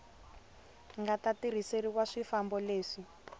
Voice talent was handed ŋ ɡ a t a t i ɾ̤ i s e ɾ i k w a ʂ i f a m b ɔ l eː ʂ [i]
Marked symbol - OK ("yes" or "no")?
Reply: yes